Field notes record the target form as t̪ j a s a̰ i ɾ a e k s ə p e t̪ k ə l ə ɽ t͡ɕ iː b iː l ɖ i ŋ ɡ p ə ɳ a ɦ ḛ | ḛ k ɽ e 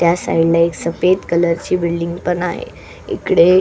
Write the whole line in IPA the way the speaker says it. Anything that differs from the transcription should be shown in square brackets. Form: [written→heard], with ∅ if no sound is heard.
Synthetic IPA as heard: t̪ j a s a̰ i [ɾ→l] a e k s ə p e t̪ k ə l ə [ɽ→ɾ] t͡ɕ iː b [iː→i] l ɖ i ŋ ɡ p ə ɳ a ɦ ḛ | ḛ k ɽ e